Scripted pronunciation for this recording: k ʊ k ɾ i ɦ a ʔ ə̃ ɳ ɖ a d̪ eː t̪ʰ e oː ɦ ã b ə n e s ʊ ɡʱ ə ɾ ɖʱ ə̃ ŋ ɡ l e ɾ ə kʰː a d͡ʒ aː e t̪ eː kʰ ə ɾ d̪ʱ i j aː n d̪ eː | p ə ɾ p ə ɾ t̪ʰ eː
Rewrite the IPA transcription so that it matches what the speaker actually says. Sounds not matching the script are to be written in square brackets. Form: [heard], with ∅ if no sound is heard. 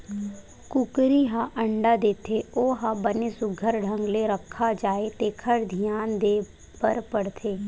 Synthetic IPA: k ʊ k ɾ i ɦ a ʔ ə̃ ɳ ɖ a d̪ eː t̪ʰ e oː ɦ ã b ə n e s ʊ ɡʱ ə ɾ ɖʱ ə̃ ŋ ɡ l e ɾ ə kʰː a d͡ʒ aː e t̪ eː kʰ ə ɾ d̪ʱ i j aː n d̪ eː | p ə ɾ p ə [ɽ] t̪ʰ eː